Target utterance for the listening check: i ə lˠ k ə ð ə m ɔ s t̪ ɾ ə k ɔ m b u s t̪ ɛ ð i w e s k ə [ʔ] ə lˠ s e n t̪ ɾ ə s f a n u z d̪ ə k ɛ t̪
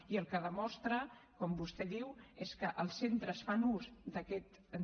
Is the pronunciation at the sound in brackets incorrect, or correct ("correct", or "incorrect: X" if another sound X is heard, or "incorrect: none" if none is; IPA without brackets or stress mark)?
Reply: correct